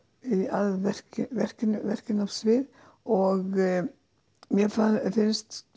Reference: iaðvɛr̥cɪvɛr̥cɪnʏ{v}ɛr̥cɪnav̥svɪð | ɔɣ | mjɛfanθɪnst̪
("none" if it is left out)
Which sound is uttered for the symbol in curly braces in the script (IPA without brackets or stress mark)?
v